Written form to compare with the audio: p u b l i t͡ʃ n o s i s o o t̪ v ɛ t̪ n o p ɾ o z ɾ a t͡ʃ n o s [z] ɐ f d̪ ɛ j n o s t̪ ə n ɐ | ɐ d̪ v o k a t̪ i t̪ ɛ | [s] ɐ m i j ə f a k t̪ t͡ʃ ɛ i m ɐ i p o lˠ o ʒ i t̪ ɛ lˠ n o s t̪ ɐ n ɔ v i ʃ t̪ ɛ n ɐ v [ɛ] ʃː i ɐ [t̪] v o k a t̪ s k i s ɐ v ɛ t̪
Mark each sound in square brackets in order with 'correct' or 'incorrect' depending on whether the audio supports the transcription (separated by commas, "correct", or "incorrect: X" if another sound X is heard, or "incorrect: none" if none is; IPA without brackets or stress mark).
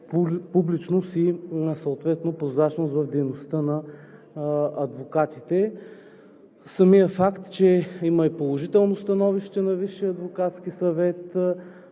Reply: incorrect: v, correct, incorrect: i, incorrect: d̪